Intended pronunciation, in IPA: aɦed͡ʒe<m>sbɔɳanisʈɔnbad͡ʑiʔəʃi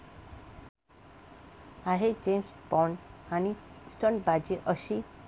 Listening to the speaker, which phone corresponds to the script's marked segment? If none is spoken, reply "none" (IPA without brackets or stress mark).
m